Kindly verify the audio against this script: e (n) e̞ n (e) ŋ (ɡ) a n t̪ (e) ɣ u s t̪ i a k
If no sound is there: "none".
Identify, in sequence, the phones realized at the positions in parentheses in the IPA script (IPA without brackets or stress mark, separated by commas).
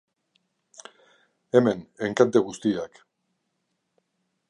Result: m, e, k, e